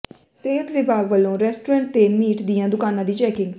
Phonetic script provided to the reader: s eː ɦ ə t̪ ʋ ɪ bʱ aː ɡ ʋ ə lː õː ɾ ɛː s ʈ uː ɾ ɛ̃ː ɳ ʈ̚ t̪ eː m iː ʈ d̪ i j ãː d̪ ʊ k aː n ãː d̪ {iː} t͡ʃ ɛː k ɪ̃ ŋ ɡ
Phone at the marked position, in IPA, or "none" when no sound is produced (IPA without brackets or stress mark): iː